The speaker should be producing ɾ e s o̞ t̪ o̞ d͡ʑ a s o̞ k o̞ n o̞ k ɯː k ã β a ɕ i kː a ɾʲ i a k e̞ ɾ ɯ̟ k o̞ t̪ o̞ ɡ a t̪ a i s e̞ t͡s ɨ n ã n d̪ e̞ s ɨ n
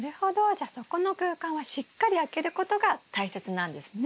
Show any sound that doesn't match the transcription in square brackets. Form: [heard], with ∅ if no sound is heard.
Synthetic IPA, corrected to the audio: ɾ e [h] o̞ [d̪] o̞ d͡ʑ a s o̞ k o̞ n o̞ k ɯː k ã β a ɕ i kː a ɾʲ i a k e̞ ɾ ɯ̟ k o̞ t̪ o̞ ɡ a t̪ a i s e̞ t͡s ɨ n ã n d̪ e̞ s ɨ n